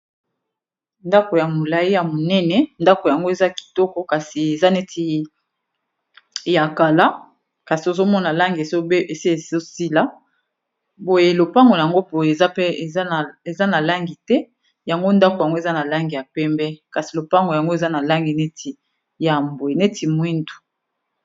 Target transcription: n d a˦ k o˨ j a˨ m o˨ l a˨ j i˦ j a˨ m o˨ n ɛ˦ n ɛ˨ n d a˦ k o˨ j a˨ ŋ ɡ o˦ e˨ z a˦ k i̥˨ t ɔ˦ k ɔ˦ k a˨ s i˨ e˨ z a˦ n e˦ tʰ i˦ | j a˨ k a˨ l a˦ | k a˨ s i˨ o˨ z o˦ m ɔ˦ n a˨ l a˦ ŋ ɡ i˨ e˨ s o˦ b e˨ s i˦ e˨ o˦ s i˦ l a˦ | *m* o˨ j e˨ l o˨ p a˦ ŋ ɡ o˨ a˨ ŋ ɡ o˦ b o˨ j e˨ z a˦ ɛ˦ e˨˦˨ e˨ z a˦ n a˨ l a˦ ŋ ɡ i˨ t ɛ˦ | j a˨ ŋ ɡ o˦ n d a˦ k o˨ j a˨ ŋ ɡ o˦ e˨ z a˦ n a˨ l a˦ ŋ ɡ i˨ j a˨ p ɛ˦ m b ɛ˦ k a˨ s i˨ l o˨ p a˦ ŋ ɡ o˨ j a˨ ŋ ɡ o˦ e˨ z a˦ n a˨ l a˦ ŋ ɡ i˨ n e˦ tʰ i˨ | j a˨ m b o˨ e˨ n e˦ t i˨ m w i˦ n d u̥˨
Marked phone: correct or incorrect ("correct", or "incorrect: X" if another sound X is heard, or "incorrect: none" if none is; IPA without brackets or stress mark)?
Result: incorrect: b